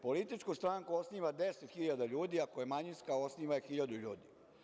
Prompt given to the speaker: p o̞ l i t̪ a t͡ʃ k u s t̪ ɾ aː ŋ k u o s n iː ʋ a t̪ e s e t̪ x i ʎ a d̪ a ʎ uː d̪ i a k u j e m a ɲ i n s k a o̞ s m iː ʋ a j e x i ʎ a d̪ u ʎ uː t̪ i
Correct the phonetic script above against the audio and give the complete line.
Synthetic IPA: p o̞ l i t̪ i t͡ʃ k u s t̪ ɾ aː ŋ k u o s n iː ʋ a d̪ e s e t̪ x i ʎ a d̪ a ʎ uː d̪ i a k o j e m a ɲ i n s k a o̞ s n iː ʋ a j e x i ʎ a d̪ u ʎ uː d̪ i

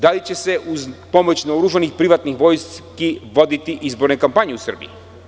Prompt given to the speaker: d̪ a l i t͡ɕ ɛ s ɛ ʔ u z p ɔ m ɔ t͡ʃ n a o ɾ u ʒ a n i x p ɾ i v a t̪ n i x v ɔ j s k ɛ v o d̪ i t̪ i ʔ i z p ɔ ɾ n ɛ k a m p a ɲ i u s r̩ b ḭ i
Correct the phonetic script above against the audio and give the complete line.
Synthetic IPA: d̪ a l i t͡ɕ ɛ s ɛ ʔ u z p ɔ m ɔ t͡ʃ n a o ɾ u ʒ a n i x p ɾ i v a t̪ n i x v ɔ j s k i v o d̪ i t̪ i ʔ i z b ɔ ɾ n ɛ k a m p a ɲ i u s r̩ b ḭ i

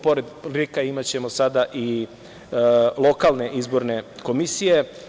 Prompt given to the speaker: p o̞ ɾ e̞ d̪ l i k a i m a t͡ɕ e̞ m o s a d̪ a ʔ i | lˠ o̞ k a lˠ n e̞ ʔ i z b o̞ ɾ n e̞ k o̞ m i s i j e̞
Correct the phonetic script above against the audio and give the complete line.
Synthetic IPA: p o̞ ɾ e̞ d̪ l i k a i m a t͡ɕ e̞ m o s a d̪ a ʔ i | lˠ o̞ k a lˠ n e̞ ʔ i z b o̞ ɾ n e̞ k o̞ m i s i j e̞

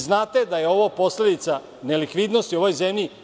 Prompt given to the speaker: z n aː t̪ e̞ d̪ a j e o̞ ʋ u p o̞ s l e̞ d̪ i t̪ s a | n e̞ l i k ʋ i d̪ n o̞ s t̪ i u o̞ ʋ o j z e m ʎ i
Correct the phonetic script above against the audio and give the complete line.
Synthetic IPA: z n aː t̪ e̞ d̪ a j e o̞ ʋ o p o̞ s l e̞ d̪ i t̪ s a | n e̞ l i k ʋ i d̪ n o̞ s t̪ i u o̞ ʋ o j z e m ʎ i

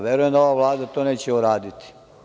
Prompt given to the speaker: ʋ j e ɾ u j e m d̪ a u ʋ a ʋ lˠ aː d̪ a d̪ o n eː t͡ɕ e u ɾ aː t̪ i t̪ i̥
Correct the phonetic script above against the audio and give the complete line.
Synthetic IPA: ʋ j e ɾ u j e m d̪ a o ʋ a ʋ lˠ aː d̪ a t̪ o n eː t͡ɕ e u ɾ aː d̪ i t̪ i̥

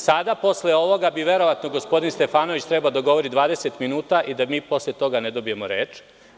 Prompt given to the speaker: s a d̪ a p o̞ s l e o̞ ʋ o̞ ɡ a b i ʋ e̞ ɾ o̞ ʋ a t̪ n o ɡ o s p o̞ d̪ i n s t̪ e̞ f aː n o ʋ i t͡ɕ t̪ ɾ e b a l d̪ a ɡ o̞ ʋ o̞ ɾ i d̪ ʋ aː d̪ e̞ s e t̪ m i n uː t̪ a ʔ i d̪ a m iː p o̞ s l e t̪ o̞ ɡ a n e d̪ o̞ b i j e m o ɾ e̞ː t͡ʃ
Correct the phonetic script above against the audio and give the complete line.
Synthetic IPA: s a d̪ a p o̞ s l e o̞ ʋ o̞ ɡ a b i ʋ e̞ ɾ o̞ ʋ a t̪ n o ɡ o s p o̞ d̪ i n s t̪ e̞ f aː n o ʋ i t͡ɕ t̪ ɾ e b a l d̪ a ɡ o̞ ʋ o̞ ɾ i d̪ ʋ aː d̪ e̞ s e t̪ m i n uː t̪ a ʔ i d̪ a m iː p o̞ s l e t̪ o̞ ɡ a n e d̪ o̞ b i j e m o ɾ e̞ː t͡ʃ

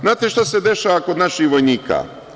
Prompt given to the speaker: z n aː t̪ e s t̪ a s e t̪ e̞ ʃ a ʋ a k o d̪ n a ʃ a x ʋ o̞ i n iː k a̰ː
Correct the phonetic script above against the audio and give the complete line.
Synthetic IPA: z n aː t̪ e ʃ t̪ a s e d̪ e̞ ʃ a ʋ a k o d̪ n a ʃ i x ʋ o̞ j n iː k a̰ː

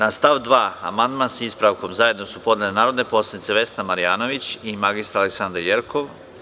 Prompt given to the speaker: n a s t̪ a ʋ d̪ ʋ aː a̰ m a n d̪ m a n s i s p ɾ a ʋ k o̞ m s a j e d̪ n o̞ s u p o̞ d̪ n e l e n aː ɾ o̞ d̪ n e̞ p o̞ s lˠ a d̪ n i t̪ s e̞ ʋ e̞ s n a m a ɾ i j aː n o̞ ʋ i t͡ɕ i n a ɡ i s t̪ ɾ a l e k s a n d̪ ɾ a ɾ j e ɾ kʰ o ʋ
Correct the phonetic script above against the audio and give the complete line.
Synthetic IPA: n a s t̪ a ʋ d̪ ʋ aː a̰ m a n d̪ m a n s i s p ɾ a ʋ k o̞ m z a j e d̪ n o̞ s u p o̞ d̪ n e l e n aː ɾ o̞ d̪ n e̞ p o̞ s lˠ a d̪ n i t̪ s e̞ ʋ e̞ s n a m a ɾ i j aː n o̞ ʋ i t͡ɕ i m a ɡ i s t̪ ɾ a l e k s a n d̪ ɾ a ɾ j e ɾ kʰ o ʋ

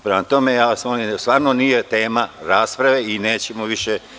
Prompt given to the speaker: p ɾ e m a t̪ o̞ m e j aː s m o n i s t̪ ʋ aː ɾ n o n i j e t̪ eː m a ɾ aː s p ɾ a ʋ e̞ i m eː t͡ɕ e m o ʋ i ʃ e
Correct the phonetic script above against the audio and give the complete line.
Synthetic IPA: p ɾ e m a t̪ o̞ m e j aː s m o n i s t̪ ʋ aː ɾ n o n i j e t̪ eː m a ɾ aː s p ɾ a ʋ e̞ i n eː t͡ɕ e m o ʋ i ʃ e

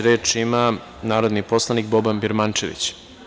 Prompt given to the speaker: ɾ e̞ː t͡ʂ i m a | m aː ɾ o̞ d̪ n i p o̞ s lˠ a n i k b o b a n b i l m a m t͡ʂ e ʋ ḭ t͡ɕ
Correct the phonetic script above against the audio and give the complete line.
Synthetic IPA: ɾ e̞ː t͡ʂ i m a | n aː ɾ o̞ d̪ n i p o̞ s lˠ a n i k b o b a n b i ɾ m a n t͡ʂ e ʋ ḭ t͡ɕ

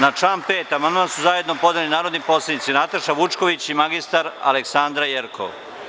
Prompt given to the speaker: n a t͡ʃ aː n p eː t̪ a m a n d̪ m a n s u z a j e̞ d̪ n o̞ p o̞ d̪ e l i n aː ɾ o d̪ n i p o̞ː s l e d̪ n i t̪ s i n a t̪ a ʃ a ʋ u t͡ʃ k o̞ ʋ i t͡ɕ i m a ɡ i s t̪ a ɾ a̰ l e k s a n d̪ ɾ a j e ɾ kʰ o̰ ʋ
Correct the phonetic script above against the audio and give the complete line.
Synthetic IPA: n a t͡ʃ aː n p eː t̪ a m a n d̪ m a n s u z a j e̞ d̪ n o̞ p o̞ d̪ e l i n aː ɾ o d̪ n i p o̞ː s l e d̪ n i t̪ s i n a t̪ a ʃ a ʋ u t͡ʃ k o̞ ʋ i t͡ɕ i m a ɡ i s t̪ a ɾ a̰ l e k s a n d̪ ɾ a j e ɾ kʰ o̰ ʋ

